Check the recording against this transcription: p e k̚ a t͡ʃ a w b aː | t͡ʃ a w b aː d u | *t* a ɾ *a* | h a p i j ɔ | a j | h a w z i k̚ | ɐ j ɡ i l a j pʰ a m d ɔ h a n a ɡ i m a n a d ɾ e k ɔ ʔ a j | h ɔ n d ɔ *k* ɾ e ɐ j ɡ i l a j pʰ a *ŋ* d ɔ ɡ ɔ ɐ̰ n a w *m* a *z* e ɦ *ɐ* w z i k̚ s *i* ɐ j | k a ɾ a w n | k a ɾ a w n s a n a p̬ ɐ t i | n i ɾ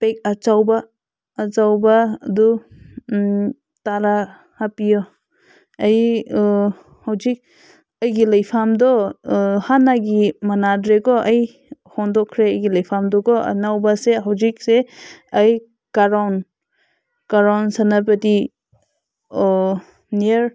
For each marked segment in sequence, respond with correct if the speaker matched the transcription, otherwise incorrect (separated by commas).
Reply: correct, correct, incorrect, incorrect, incorrect, incorrect, incorrect, incorrect